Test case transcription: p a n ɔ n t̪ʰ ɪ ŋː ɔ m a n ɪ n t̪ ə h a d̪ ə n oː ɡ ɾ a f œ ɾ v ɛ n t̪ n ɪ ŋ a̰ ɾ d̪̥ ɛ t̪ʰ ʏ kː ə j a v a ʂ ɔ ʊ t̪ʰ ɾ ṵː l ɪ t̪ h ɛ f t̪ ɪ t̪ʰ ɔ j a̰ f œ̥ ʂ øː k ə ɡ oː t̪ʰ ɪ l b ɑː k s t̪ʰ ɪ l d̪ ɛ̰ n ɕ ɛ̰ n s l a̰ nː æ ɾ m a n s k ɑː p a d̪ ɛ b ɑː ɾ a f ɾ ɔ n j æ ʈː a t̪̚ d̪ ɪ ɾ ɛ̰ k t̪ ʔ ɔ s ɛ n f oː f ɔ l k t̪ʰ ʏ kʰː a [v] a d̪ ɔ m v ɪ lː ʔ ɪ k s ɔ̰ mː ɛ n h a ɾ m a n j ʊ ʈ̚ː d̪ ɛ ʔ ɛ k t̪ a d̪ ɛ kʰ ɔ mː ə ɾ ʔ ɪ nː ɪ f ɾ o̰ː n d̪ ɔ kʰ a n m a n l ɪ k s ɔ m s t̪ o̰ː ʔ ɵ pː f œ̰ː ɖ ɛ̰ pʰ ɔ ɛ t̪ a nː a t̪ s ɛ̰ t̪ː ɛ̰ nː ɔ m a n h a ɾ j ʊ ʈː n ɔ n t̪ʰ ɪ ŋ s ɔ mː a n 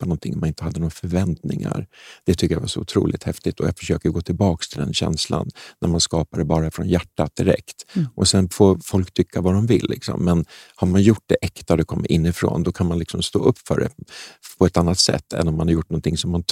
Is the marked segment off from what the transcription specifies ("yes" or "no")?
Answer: no